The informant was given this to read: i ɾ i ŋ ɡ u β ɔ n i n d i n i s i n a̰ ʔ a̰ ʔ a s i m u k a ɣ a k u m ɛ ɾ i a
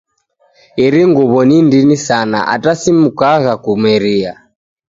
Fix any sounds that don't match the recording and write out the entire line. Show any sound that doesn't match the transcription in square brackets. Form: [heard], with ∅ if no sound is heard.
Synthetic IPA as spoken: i ɾ i ŋ ɡ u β ɔ n i n d i n i s [a] n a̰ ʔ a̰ [t] a s i m u k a ɣ a k u m ɛ ɾ i a